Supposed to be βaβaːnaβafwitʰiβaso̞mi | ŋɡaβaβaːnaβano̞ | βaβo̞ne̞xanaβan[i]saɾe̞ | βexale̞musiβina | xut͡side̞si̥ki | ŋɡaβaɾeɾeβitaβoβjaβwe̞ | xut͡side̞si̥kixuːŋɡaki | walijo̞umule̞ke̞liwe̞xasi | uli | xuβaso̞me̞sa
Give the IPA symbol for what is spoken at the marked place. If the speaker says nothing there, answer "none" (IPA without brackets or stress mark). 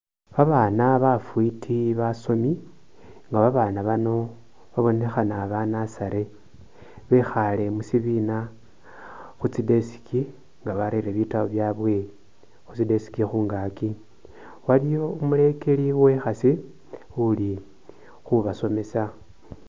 a